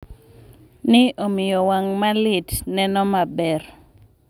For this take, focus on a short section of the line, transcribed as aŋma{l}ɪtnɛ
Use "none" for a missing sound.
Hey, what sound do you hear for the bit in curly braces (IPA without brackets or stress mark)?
l